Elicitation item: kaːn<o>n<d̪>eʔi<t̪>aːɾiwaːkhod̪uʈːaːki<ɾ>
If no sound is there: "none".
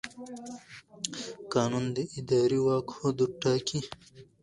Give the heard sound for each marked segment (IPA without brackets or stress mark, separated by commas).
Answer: u, d̪, d̪, none